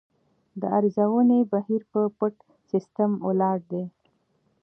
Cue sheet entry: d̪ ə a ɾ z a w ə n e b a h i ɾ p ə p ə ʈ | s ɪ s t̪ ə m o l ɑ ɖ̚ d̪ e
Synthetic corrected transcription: d̪ ə a ɾ z a w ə n e b a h i ɾ p ə p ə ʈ | s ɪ s t̪ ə m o l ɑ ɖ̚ d̪ e